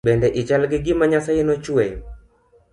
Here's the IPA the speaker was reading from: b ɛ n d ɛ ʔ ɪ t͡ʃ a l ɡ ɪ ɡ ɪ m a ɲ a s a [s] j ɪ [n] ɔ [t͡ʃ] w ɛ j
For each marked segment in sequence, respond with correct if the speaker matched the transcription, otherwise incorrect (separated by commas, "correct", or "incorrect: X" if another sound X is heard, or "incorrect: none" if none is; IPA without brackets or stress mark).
incorrect: none, correct, correct